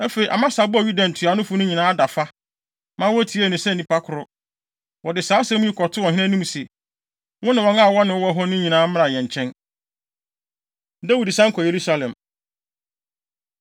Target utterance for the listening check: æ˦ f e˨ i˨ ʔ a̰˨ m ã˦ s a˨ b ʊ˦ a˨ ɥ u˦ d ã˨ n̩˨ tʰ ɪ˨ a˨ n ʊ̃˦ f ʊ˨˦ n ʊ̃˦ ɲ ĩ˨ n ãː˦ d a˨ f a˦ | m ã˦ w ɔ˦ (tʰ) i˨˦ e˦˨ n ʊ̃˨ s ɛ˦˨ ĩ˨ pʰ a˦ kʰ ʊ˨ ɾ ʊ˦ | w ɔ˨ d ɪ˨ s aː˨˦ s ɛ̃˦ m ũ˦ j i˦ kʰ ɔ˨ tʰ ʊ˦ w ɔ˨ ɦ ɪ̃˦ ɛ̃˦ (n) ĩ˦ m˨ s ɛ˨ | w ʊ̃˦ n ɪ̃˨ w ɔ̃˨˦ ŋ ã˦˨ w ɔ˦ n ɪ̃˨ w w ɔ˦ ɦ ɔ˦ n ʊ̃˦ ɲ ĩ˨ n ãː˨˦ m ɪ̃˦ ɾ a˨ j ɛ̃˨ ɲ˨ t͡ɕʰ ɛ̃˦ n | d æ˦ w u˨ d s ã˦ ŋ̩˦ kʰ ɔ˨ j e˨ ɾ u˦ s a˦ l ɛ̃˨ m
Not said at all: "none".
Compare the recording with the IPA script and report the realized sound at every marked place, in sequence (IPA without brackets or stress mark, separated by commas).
tʰ, n